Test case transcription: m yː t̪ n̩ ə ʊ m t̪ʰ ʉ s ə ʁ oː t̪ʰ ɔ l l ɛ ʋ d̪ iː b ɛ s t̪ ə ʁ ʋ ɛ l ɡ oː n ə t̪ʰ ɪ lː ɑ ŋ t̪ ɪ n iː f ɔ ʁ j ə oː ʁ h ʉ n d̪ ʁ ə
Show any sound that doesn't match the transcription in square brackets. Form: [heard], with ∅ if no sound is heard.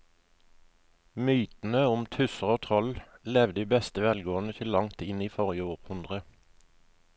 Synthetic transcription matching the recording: m yː t̪ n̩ ə ʊ m t̪ʰ ʉ s ə ʁ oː t̪ʰ ɔ l l ɛ ʋ d̪ iː b ɛ s t̪ ə [∅] ʋ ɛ l ɡ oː n ə t̪ʰ ɪ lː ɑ ŋ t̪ ɪ n iː f ɔ ʁ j ə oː ʁ h ʉ n d̪ ʁ ə